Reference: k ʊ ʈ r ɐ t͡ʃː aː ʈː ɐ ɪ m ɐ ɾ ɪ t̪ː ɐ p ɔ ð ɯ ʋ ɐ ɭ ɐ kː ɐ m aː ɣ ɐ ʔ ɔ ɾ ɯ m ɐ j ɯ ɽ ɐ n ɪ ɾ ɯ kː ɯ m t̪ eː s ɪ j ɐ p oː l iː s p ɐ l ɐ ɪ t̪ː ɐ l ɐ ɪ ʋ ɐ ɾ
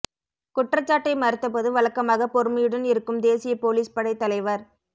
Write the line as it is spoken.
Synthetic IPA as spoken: k ʊ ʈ r ɐ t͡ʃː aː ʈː ɐ ɪ m ɐ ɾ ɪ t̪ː ɐ p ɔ ð ɯ ʋ ɐ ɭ ɐ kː ɐ m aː ɣ ɐ p ɔ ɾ ɯ m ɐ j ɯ ɽ ɐ n ɪ ɾ ɯ kː ɯ m d̪ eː s ɪ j ɐ p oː l iː s p ɐ ɽ ɐ ɪ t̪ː ɐ l ɐ ɪ ʋ ɐ ɾ

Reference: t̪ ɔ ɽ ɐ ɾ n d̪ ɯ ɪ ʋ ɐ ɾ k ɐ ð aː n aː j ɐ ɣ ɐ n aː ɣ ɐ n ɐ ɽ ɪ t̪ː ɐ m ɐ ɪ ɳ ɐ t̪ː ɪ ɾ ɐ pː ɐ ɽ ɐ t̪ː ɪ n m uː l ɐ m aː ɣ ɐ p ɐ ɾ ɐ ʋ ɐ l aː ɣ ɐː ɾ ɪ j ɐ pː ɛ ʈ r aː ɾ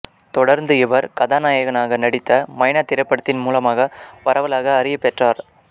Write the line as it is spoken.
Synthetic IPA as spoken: t̪ ɔ ɽ ɐ ɾ n d̪ ɯ ɪ ʋ ɐ ɾ k ɐ ð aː n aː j ɐ ɣ ɐ n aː ɣ ɐ n ɐ ɽ ɪ t̪ː ɐ m ɐ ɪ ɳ ɐ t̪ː ɪ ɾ ɐ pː ɐ ɽ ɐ t̪ː ɪ n m uː l ɐ m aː ɣ ɐ p ɐ ɾ ɐ ʋ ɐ l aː ɣ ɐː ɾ ɪ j ɐ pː ɛ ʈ r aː ɾ

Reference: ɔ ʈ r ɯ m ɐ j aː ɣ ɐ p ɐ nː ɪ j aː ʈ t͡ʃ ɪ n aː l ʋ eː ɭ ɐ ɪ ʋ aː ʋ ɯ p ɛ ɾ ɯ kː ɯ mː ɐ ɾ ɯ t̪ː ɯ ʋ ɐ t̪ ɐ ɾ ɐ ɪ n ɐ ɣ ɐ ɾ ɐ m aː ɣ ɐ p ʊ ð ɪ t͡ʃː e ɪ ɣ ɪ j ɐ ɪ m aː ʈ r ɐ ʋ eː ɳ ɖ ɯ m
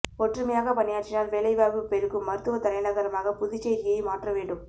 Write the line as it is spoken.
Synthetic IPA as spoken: ɔ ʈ r ɯ m ɐ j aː ɣ ɐ p ɐ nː ɪ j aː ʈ t͡ʃ ɪ n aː l ʋ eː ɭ ɐ ɪ ʋ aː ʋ ɯ p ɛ ɾ ɯ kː ɯ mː ɐ ɾ ɯ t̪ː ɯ ʋ ɐ t̪ ɐ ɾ ɐ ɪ n ɐ ɣ ɐ ɾ ɐ m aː ɣ ɐ p ʊ ð ɪ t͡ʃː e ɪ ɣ ɪ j ɐ ɪ m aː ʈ r ɐ ʋ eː ɳ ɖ ɯ m

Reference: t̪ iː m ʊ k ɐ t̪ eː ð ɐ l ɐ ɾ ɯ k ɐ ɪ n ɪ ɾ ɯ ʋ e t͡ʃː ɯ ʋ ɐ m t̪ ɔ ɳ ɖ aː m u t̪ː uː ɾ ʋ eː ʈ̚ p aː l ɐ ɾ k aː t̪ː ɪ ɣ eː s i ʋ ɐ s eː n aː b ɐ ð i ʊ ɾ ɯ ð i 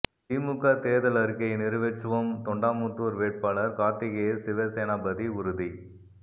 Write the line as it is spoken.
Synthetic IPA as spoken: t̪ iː m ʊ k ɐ t̪ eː ð ɐ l ɐ ɾ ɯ k ɐ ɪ n ɪ ɾ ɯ ʋ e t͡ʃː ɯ ʋ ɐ m t̪ ɔ ɳ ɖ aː m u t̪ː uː ɾ ʋ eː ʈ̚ p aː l ɐ ɾ k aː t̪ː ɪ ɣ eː s ɪ ʋ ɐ s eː n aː b ɐ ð i ʊ ɾ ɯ ð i

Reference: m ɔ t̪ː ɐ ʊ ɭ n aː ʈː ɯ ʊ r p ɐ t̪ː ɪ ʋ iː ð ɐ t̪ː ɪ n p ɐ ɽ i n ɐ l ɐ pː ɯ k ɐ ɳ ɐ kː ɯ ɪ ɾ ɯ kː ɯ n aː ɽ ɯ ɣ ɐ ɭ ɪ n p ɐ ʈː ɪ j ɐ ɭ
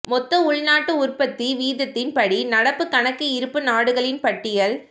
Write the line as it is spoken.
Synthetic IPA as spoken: m ɔ t̪ː ɐ ʊ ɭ n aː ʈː ɯ ʊ r p ɐ t̪ː i ʋ iː ð ɐ t̪ː ɪ n p ɐ ɽ i n ɐ ɽ ɐ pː ɯ k ɐ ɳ ɐ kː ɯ ɪ ɾ ɯ pː ɯ n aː ɽ ɯ ɣ ɐ ɭ ɪ n p ɐ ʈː ɪ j ɐ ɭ

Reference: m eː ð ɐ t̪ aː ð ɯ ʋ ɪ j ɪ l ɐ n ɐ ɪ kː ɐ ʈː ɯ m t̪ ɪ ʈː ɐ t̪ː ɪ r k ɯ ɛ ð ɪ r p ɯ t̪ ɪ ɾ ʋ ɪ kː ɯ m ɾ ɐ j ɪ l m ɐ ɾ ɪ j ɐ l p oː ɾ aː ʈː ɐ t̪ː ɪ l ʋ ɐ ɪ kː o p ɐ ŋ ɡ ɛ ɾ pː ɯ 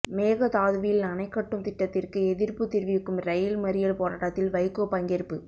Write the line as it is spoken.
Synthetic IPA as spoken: m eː ɣ ɐ t̪ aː ð ɯ ʋ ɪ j ɪ l ɐ n ɐ ɪ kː ɐ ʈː ɯ m t̪ ɪ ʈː ɐ t̪ː ɪ r k ɯ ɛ ð ɪ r p ɯ t̪ ɪ ɾ ʋ ɪ kː ɯ m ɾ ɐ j ɪ l m ɐ ɾ ɪ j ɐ l p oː ɾ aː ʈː ɐ t̪ː ɪ l ʋ ɐ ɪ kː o p ɐ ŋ ɡ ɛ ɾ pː ɯ

